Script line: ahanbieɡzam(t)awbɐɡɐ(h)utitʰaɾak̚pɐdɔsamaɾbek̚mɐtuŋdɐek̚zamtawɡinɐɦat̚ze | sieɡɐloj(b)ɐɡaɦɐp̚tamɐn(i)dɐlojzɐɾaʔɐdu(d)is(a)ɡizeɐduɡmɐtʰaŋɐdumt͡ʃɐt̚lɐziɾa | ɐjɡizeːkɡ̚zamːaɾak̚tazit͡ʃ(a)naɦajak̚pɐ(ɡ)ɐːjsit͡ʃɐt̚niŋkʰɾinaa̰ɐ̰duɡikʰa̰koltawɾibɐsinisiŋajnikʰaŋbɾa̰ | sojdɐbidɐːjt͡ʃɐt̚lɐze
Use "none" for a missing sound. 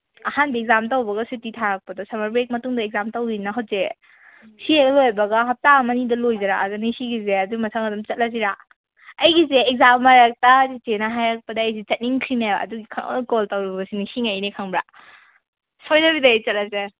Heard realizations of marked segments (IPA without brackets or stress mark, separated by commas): t, s, b, i, n, i, e, d